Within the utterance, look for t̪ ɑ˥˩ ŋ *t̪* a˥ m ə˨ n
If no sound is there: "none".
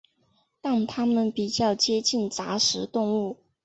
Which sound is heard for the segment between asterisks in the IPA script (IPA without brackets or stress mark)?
t̪ʰ